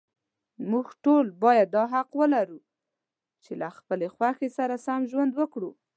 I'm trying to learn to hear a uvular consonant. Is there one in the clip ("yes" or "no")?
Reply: yes